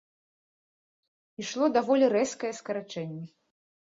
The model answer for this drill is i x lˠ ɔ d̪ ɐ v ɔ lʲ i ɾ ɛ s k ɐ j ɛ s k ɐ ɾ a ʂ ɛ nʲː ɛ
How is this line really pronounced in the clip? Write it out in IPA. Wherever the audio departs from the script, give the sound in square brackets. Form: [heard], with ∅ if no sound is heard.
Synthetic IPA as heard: i [ʂ] lˠ ɔ d̪ [a] v ɔ lʲ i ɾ ɛ s k ɐ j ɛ s k ɐ ɾ a [t͡ʂ] ɛ nʲː ɛ